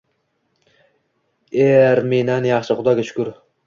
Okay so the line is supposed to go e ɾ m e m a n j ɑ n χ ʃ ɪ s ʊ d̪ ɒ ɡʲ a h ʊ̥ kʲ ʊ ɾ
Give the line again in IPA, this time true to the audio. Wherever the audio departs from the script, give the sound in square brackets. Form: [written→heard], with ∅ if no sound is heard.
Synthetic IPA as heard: e ɾ m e [m→n] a n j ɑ [n→∅] χ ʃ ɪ [s→χ] ʊ d̪ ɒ ɡʲ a [h→ʃ] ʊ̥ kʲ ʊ ɾ